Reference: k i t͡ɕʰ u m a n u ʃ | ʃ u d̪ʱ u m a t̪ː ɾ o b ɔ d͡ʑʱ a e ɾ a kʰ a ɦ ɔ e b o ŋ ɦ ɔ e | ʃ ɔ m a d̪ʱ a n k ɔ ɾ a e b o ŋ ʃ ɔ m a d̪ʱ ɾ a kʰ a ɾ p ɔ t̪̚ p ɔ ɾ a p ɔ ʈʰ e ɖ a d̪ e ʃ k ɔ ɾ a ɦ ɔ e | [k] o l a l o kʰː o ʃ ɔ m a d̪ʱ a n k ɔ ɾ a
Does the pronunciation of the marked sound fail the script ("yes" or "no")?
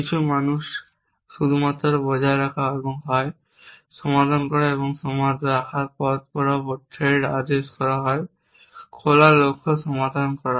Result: yes